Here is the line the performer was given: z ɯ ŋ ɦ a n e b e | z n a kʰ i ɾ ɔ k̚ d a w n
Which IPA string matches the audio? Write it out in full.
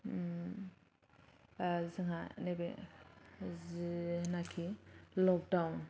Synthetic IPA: z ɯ ŋ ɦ a n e b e | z n a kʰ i l ɔ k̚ d a w n